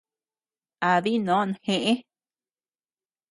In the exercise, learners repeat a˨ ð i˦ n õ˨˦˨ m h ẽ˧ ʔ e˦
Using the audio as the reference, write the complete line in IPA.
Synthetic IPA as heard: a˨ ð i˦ n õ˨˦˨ n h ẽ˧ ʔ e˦

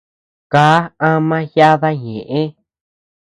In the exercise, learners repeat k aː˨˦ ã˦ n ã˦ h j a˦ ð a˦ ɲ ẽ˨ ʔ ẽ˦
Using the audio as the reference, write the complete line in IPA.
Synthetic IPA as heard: k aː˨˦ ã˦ m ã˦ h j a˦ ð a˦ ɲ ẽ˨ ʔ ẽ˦

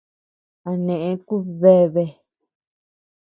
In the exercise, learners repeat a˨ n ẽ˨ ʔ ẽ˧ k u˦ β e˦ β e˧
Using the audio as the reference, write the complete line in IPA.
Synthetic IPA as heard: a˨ n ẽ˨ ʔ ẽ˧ k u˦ β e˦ β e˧

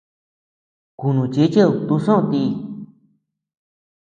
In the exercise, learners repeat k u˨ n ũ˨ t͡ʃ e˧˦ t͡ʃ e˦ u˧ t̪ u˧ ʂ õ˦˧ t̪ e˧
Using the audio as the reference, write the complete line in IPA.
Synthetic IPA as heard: k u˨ n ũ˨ t͡ʃ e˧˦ t͡ʃ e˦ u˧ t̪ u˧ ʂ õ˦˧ t̪ i˧

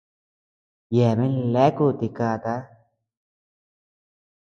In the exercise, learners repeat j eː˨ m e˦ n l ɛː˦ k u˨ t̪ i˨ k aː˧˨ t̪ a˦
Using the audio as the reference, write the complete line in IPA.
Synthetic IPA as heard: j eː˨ m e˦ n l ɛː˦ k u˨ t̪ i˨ k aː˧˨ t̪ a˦

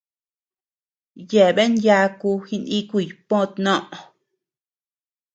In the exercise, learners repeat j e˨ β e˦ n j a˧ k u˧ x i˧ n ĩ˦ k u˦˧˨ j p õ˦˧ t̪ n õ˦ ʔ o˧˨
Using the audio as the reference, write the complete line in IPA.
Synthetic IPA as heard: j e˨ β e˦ n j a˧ k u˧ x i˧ n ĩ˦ k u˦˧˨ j p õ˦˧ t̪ n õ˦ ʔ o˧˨

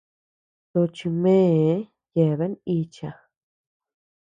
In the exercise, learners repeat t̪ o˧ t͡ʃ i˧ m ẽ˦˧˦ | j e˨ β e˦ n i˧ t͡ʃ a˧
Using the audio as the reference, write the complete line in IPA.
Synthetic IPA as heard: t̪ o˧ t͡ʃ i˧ m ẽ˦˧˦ | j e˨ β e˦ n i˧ t͡ʃ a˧

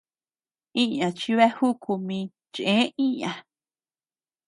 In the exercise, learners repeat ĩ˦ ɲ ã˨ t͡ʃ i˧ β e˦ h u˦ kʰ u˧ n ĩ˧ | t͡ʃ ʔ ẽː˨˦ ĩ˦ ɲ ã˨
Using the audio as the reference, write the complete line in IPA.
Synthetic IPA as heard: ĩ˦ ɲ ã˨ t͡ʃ i˧ β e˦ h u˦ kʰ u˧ m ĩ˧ | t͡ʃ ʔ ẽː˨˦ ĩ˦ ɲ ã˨

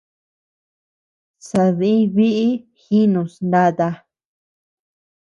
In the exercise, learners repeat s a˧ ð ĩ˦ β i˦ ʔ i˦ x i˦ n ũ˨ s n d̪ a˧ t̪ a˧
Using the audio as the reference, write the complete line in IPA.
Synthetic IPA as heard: s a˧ ð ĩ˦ β i˦ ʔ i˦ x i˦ n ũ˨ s n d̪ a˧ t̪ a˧

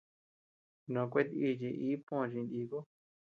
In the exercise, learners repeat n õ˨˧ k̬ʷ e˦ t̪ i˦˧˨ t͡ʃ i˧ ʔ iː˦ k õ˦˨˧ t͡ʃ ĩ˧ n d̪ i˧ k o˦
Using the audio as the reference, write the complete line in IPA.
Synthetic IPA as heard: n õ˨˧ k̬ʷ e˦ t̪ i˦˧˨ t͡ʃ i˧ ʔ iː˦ p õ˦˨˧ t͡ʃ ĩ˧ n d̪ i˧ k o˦

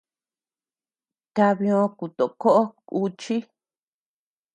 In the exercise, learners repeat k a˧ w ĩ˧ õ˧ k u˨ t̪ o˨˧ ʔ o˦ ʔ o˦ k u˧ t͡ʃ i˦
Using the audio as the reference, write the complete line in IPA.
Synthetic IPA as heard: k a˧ β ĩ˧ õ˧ k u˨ t̪ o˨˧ k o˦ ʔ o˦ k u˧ t͡ʃ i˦

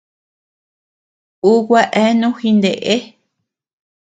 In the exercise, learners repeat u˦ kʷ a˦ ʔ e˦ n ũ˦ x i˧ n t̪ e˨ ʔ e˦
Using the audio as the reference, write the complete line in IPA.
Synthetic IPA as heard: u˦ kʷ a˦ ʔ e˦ n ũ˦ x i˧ n d̪ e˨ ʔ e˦

